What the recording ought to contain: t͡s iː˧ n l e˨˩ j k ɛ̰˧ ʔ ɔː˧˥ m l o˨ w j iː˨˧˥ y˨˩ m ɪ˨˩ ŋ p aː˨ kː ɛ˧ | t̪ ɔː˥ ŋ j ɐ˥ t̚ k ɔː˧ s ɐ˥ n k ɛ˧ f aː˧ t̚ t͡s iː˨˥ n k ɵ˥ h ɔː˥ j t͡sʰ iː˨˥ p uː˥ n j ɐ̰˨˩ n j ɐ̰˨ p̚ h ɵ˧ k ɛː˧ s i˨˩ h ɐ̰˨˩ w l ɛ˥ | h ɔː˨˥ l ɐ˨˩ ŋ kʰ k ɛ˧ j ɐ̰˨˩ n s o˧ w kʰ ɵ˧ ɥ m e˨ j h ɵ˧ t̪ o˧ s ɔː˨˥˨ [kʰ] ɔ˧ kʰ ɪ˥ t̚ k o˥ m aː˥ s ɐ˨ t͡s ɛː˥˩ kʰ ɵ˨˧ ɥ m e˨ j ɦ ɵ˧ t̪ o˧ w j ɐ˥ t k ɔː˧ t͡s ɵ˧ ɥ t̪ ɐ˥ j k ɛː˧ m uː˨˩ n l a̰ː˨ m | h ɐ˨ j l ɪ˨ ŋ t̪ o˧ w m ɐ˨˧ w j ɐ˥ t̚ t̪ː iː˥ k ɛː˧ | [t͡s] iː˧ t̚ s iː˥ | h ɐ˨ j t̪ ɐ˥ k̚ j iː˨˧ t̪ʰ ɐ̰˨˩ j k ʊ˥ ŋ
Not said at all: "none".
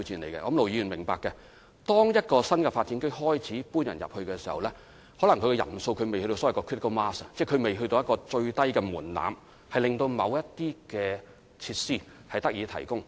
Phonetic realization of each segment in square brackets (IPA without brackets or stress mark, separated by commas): k, t͡sʰ